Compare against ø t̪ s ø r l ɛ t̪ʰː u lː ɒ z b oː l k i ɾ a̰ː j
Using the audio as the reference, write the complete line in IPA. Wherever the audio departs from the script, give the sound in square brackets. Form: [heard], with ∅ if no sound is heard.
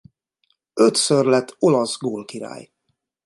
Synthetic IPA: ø t̪ s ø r l ɛ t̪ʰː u [l] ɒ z [ɡ] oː l k i ɾ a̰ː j